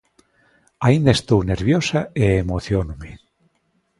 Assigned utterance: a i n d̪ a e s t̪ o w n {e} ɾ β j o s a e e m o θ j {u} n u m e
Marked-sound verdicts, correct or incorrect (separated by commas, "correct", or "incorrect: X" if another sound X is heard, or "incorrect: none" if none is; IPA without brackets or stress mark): correct, incorrect: o